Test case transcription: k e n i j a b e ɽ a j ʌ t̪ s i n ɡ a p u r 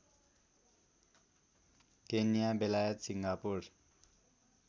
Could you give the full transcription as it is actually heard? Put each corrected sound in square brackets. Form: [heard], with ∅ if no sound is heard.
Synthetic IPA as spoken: k e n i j a b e [l] a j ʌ t̪ s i [ŋ] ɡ a p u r